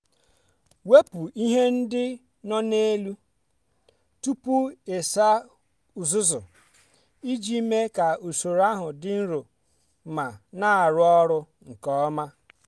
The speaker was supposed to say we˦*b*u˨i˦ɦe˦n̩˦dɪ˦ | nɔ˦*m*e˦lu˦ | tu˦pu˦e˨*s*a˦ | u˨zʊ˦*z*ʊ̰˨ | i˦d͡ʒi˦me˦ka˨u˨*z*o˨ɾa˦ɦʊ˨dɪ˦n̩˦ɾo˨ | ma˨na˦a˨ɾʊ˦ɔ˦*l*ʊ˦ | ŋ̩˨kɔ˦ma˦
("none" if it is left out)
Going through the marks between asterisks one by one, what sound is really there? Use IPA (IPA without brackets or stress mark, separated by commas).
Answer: p, n, s, z, s, ɾ